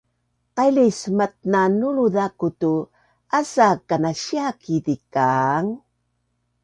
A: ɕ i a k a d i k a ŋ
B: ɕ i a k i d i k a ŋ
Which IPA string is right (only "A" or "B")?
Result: B